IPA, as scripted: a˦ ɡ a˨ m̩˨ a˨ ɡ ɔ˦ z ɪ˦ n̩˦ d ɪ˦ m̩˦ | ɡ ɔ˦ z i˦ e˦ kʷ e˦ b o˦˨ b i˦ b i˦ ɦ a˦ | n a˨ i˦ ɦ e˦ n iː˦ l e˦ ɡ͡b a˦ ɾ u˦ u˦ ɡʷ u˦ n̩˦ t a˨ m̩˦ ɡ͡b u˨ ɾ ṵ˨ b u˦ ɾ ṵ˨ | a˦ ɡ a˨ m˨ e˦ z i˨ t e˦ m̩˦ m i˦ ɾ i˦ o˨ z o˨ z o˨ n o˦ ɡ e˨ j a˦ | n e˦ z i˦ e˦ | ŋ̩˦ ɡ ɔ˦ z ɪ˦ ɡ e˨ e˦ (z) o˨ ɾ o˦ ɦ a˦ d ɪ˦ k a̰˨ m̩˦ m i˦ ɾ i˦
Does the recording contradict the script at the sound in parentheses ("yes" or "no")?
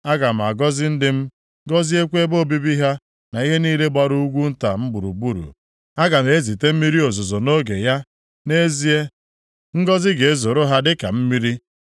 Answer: no